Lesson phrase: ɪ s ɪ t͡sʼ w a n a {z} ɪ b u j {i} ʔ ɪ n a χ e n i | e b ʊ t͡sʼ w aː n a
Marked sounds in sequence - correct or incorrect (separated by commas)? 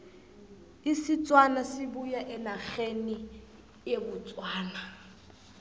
incorrect, incorrect